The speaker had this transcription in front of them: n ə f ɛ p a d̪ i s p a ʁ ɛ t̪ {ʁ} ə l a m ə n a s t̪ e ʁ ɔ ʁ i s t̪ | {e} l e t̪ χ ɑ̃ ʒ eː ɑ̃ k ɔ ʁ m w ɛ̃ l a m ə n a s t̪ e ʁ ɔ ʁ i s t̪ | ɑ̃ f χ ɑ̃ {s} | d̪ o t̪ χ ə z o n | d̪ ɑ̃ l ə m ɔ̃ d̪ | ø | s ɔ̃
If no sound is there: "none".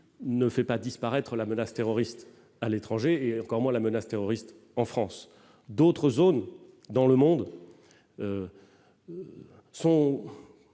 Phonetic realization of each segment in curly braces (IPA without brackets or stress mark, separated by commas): χ, a, s